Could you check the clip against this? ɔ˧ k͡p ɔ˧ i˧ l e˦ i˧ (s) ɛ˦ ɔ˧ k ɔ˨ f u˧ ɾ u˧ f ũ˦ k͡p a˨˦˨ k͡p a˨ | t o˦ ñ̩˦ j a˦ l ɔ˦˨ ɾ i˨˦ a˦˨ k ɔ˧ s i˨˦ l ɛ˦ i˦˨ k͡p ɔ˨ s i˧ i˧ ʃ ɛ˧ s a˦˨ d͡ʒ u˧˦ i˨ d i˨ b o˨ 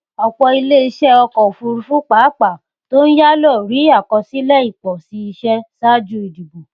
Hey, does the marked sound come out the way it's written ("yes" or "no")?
no